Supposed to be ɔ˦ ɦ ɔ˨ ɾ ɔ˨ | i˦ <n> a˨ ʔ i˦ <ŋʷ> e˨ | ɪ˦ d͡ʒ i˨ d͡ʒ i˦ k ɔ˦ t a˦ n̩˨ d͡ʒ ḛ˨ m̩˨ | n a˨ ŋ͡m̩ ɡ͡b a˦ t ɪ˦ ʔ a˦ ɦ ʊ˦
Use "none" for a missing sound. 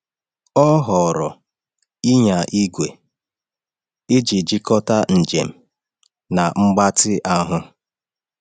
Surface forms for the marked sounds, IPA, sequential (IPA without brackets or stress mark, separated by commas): ɲ, ɡʷ